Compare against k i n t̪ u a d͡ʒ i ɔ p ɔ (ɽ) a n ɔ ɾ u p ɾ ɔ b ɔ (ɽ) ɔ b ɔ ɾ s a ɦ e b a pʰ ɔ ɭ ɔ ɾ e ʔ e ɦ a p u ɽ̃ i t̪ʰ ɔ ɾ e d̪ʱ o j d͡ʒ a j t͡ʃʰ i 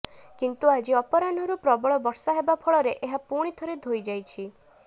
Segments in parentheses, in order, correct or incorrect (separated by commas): incorrect, incorrect